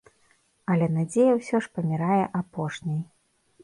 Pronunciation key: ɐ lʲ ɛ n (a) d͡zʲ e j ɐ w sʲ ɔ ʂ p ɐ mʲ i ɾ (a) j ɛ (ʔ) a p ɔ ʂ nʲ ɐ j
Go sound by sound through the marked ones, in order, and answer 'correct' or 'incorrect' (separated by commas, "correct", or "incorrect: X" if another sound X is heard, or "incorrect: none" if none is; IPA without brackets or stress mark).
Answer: correct, correct, correct